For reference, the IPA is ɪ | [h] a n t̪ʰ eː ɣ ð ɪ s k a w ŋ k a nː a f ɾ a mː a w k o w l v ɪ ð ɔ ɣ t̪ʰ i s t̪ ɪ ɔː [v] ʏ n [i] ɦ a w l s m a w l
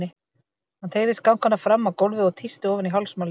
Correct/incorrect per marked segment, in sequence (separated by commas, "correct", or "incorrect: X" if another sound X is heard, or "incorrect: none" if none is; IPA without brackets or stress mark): correct, correct, correct